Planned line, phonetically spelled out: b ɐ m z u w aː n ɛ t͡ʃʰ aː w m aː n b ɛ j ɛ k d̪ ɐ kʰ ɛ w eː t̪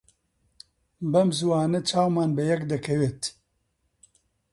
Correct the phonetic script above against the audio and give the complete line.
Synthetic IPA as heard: b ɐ m z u w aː n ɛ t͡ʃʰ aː w m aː n b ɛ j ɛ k d̪ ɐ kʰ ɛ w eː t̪